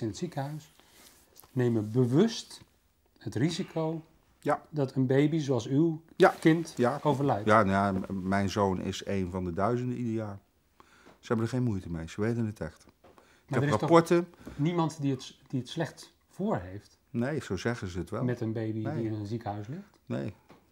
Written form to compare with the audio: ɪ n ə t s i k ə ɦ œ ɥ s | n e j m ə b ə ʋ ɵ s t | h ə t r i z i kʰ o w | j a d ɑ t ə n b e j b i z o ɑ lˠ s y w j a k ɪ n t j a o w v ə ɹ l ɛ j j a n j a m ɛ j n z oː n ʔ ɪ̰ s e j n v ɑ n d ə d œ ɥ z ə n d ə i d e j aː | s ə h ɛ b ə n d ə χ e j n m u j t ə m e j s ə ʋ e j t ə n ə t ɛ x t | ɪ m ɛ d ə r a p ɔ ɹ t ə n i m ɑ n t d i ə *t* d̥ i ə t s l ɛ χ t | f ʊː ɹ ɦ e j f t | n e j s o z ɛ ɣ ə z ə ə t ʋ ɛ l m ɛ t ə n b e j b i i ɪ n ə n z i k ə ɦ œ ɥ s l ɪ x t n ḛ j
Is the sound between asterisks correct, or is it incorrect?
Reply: correct